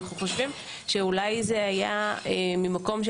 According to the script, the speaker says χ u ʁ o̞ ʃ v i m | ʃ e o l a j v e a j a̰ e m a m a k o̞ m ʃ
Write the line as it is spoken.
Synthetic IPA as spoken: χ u χ o̞ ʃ v i m | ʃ e u l a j z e a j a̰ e m i m a k o̞ m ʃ